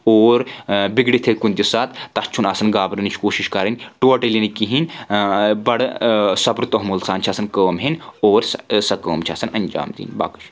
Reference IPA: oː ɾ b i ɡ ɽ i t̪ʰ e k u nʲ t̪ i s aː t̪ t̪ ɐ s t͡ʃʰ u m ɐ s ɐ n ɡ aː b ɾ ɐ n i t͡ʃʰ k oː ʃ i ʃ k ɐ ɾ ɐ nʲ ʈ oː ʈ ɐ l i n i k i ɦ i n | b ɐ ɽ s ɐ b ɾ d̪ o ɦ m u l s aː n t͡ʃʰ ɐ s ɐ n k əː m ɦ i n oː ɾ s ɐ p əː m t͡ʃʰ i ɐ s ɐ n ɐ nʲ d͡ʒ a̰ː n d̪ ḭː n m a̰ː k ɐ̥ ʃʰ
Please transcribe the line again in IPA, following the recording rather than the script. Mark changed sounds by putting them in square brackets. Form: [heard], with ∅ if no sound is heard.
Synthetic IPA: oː ɾ b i ɡ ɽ i t̪ʰ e k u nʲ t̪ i s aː t̪ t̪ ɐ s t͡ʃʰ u [n] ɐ s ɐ n ɡ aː b ɾ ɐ n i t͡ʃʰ k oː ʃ i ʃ k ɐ ɾ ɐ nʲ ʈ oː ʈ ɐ l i n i k i ɦ i n | b ɐ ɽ s ɐ b ɾ [t̪] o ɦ m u l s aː n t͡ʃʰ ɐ s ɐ n k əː m ɦ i n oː ɾ s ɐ [k] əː m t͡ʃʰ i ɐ s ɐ n ɐ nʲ d͡ʒ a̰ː [m] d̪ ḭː n [b] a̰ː k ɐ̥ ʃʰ